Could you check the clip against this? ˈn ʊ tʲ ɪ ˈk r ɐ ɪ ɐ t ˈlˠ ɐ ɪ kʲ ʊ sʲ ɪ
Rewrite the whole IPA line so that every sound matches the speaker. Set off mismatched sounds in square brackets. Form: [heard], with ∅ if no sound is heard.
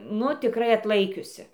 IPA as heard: ˈn ʊ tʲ ɪ ˈk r ɐ ɪ ɐ t ˈlˠ ɐ ɪ kʲ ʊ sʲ ɪ